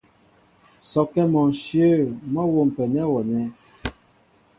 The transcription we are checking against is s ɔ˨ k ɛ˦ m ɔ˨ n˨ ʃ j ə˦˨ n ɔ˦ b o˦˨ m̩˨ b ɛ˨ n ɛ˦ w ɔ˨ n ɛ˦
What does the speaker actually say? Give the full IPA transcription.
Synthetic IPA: s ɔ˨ k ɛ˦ m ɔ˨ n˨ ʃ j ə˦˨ m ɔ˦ w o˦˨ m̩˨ p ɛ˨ n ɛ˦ w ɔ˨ n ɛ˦